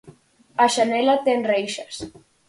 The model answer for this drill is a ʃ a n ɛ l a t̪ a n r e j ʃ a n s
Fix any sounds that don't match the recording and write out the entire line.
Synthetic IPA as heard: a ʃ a n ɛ l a t̪ e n r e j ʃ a s